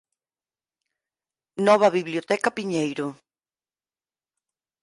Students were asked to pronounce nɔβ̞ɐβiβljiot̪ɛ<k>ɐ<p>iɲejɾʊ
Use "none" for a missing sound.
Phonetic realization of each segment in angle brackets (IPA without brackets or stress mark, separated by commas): k, p